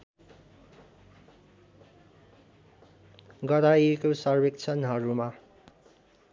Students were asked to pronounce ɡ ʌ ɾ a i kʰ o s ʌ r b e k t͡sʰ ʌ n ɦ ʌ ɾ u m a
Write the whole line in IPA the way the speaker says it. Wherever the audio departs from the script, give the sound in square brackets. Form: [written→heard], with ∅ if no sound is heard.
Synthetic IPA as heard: ɡ ʌ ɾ a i [kʰ→k] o s ʌ r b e k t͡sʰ ʌ n ɦ ʌ ɾ u m a